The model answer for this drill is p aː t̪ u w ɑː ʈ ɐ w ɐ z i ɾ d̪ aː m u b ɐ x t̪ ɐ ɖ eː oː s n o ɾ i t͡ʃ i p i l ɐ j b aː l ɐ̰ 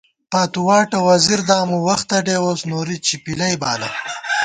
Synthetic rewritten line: p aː t̪ u w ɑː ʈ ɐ w ɐ z i ɾ d̪ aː m u w ɐ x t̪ ɐ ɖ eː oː s n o ɾ i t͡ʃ i p i l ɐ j b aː l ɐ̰